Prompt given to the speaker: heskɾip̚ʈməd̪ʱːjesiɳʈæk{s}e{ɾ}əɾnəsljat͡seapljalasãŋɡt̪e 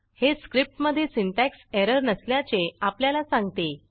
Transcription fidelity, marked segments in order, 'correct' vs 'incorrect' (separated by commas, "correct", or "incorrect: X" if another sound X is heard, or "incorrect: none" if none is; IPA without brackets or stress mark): correct, correct